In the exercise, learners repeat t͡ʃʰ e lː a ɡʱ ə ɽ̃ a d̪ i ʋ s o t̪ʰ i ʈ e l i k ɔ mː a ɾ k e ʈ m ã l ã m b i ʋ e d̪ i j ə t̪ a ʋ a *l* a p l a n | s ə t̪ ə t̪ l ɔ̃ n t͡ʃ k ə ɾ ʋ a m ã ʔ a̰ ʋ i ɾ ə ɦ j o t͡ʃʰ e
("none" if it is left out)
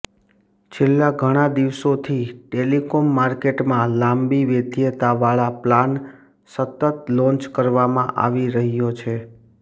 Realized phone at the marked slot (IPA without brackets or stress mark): ɭ